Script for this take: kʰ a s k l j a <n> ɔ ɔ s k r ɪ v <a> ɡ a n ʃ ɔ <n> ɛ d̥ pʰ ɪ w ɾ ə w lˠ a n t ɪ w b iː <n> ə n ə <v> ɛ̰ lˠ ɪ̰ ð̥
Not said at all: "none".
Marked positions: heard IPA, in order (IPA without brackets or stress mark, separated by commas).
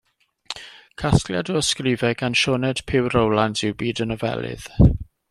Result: d, ɛ, n, d, v